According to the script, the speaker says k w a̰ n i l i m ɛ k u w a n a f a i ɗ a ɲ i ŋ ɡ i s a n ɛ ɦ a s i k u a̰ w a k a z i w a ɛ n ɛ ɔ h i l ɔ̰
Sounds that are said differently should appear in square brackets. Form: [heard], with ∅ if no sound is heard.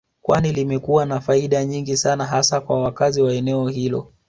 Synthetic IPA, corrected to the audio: k w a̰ n i l i m ɛ k u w a n a f a i ɗ a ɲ i ŋ ɡ i s a n [a] ɦ a s [a] k [w] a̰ w a k a z i w a ɛ n ɛ ɔ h i l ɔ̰